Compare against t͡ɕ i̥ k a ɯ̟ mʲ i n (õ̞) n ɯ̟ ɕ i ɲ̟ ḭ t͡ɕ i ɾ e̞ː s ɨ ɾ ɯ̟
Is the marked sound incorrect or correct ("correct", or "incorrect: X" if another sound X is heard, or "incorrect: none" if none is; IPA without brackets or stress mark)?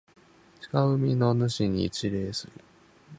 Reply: incorrect: o̞